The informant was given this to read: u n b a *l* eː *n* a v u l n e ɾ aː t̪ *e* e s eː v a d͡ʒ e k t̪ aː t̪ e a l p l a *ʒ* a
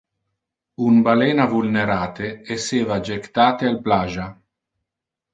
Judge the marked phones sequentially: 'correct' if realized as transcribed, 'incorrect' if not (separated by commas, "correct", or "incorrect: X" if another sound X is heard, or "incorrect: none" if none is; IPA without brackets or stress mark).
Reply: correct, correct, correct, correct